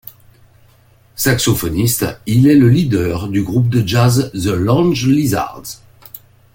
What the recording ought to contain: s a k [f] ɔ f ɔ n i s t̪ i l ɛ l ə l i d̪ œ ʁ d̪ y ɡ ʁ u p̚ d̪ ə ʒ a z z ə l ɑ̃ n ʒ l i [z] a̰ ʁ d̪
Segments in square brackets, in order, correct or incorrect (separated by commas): incorrect, correct